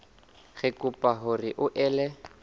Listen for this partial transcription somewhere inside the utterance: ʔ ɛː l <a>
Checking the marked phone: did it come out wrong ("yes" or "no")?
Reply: yes